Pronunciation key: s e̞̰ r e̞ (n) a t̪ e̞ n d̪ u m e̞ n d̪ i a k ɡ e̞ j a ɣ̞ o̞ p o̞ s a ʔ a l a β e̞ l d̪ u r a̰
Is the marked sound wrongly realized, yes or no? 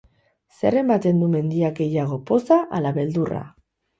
yes